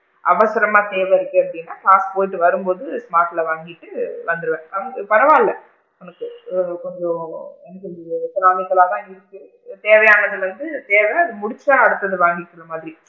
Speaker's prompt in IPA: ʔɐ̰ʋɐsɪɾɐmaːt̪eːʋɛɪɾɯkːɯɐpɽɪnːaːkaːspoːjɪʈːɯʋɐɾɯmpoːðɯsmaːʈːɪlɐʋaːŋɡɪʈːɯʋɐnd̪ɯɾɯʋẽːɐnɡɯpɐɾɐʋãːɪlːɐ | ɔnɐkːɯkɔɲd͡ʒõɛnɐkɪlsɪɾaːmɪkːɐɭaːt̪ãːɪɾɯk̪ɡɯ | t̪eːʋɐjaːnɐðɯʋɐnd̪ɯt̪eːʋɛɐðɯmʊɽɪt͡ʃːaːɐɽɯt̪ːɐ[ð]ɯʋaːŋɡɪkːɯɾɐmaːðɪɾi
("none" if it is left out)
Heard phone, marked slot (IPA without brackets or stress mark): ð